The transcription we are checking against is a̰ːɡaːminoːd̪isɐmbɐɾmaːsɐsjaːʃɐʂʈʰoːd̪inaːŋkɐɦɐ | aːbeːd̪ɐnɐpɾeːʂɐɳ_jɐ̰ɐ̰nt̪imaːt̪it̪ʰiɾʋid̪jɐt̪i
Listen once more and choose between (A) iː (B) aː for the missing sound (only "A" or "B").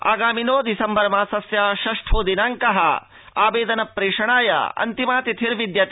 B